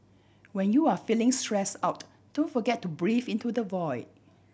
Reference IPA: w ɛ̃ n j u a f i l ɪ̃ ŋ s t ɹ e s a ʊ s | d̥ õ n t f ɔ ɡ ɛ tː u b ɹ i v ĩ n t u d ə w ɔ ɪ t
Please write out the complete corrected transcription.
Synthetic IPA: w ɛ̃ n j u a f i l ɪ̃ ŋ s t ɹ ɛ s a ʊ t | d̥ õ n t f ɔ ɡ ɛ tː u b ɹ i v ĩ n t u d ə v ɔ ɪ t